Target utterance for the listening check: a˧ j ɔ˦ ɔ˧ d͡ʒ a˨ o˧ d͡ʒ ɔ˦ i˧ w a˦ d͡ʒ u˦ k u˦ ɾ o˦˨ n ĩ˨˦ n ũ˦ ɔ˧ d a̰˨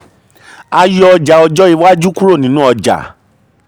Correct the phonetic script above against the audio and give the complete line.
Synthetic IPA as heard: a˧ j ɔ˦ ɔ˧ d͡ʒ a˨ ɔ˧ d͡ʒ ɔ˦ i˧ w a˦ d͡ʒ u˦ k u˦ ɾ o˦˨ n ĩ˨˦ n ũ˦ ɔ˧ d͡ʒ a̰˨